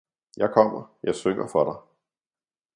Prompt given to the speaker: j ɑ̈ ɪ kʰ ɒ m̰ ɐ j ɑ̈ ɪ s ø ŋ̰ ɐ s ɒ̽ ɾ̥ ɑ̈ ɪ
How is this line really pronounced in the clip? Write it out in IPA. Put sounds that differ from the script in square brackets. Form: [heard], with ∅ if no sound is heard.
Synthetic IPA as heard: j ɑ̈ ɪ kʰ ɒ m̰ ɐ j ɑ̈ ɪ s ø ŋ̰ ɐ [f] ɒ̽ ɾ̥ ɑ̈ ɪ